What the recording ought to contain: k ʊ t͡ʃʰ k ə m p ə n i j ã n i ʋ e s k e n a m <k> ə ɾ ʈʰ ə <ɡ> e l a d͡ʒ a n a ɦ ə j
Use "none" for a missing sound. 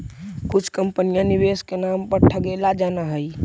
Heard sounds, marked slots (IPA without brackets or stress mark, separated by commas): p, ɡ